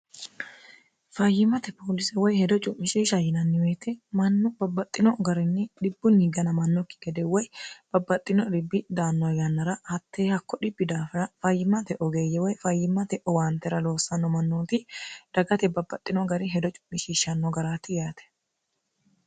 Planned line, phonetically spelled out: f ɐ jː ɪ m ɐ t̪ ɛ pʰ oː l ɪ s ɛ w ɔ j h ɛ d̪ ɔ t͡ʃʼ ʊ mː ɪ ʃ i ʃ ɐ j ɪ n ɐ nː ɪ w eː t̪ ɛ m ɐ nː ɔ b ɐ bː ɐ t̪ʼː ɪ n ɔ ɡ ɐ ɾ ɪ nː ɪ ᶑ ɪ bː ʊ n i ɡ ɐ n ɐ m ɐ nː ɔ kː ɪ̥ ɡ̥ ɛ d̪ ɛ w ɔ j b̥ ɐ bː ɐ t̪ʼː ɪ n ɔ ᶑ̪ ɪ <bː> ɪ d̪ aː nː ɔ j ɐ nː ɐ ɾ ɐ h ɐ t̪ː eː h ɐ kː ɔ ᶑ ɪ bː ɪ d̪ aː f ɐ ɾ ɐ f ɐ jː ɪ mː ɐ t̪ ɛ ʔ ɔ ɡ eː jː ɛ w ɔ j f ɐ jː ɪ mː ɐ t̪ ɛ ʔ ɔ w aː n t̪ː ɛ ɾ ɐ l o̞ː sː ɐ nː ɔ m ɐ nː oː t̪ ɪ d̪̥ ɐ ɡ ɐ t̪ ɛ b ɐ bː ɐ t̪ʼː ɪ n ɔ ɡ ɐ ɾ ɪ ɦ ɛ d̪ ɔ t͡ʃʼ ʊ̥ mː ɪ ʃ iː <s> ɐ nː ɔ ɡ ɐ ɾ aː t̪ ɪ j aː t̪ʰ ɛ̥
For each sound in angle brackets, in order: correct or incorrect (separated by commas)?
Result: correct, incorrect